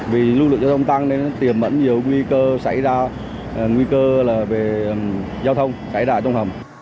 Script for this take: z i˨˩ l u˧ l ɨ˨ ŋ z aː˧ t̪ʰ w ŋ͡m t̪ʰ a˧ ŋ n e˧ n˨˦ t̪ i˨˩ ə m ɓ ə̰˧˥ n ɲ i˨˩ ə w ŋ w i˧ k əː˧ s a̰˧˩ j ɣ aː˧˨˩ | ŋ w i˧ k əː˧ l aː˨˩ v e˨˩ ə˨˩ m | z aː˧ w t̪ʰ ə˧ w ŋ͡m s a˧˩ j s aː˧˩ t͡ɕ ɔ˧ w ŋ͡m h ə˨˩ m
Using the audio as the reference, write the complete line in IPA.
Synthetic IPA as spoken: v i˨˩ l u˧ l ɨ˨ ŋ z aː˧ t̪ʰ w ŋ͡m t̪ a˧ ŋ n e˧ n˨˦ t̪ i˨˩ ə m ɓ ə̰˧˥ n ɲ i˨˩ ə w ŋ w i˧ k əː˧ s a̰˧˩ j z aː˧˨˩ | ŋ w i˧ k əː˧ l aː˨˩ v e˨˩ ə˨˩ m | z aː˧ w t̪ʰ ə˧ w ŋ͡m s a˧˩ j z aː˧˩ t͡ɕ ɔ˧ w ŋ͡m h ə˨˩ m

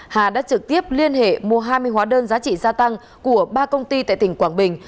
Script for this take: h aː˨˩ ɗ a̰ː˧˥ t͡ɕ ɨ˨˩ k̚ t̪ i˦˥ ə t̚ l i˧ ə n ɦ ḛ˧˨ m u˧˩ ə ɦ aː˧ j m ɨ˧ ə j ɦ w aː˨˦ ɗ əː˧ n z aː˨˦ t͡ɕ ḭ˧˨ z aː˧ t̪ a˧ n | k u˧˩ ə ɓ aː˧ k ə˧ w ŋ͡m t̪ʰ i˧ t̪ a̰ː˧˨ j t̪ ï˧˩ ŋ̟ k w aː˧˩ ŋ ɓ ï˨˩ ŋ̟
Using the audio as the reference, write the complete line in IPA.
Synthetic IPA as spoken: h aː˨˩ ɗ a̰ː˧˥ t͡ɕ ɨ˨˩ k̚ t̪ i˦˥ ə p̚ l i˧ ə n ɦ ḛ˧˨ m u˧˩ ə ɦ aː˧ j m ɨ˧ ə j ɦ w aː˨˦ ɗ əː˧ n z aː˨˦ t͡ɕ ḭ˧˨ z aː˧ t̪ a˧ ŋ | k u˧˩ ə ɓ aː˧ k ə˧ w ŋ͡m t̪ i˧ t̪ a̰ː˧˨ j t̪ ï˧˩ ŋ̟ k w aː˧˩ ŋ ɓ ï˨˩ ŋ̟

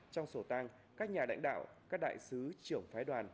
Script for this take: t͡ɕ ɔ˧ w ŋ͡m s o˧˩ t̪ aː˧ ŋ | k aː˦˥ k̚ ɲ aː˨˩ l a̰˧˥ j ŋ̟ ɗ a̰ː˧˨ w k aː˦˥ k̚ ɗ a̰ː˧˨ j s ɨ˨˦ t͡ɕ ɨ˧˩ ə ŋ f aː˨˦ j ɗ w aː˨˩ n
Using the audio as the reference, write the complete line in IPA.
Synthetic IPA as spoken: t͡ɕ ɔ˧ w ŋ͡m s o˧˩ t̪ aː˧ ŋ | k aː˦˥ k̚ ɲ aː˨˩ l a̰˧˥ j ŋ̟ ɗ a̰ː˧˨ w k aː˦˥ k̚ ɗ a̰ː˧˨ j s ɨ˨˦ t͡ɕ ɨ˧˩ ə ŋ f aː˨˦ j ɗ w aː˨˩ n

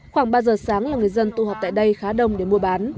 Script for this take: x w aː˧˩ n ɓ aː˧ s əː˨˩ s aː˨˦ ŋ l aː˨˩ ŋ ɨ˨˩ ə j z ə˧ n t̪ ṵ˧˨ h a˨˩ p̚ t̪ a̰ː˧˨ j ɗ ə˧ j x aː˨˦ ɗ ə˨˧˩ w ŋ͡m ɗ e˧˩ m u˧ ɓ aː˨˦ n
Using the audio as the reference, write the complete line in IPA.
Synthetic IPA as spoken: x w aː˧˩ ŋ ɓ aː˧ z əː˨˩ s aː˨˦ ŋ l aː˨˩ ŋ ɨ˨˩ ə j z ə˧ n t̪ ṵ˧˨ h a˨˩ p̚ t̪ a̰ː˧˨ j ɗ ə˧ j x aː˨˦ ɗ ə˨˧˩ w ŋ͡m ɗ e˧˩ m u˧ ɓ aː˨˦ n

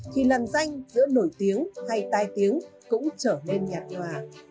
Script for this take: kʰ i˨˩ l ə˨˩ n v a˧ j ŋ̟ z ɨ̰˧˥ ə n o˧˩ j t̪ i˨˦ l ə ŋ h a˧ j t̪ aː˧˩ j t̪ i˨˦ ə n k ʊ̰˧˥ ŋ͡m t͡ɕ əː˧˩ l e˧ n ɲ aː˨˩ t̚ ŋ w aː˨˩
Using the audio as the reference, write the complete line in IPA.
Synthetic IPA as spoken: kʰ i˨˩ l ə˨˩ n z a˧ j ŋ̟ z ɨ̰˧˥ ə n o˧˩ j t̪ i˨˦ ə ŋ h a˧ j t̪ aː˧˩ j t̪ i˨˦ ə ŋ k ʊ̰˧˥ ŋ͡m t͡ɕ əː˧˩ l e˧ n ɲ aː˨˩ t̚ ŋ w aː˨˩

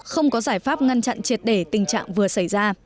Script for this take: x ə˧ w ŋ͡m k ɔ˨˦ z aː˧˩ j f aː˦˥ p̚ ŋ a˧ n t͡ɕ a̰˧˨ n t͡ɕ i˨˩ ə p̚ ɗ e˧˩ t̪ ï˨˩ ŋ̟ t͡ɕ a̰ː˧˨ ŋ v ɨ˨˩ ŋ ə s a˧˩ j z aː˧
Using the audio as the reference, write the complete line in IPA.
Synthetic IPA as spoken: x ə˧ w ŋ͡m k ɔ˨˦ z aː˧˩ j f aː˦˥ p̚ ŋ a˧ n t͡ɕ a̰˧˨ n t͡ɕ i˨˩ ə t̚ ɗ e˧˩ t̪ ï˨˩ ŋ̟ t͡ɕ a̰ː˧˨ ŋ v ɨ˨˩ ə s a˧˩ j z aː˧

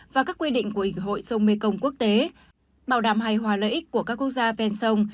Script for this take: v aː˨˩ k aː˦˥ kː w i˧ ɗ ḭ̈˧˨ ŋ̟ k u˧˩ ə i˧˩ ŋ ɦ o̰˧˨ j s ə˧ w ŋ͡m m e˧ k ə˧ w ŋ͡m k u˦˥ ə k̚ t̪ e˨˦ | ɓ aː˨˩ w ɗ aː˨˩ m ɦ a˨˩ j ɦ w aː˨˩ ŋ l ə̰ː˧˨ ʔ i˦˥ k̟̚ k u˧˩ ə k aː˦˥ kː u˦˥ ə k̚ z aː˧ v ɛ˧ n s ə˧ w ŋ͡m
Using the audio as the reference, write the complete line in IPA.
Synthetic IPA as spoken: v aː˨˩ k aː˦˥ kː w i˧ ɗ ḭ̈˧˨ ŋ̟ k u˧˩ ə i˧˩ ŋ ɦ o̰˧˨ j s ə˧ w ŋ͡m m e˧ k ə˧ w ŋ͡m k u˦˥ ə k̚ t̪ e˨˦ | ɓ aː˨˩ w ɗ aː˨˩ m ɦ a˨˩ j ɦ w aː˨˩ l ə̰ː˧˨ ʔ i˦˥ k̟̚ k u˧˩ ə k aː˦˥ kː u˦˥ ə k̚ z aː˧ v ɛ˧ n s ə˧ w ŋ͡m

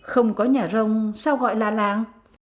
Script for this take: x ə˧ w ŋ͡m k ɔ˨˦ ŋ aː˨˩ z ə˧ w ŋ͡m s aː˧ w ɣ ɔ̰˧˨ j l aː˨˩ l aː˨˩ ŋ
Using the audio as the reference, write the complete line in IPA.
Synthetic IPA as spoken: x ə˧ w ŋ͡m k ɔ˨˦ ɲ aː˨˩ z ə˧ w ŋ͡m s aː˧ w ɣ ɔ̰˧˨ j l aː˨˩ l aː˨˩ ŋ

